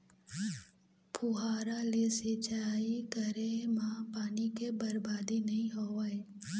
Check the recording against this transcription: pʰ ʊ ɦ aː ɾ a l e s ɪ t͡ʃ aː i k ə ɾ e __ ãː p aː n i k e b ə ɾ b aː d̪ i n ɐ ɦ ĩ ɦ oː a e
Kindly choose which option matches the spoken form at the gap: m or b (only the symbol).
m